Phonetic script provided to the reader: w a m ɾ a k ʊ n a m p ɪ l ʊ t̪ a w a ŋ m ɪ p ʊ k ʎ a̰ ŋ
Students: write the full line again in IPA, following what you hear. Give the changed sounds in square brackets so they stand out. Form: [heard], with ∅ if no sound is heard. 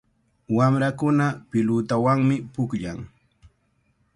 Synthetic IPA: w a m ɾ a k ʊ n a [∅] p ɪ l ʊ t̪ a w a ŋ m ɪ p ʊ k ʎ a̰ ŋ